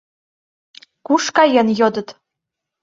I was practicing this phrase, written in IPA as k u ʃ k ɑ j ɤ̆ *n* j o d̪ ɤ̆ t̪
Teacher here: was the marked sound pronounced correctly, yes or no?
yes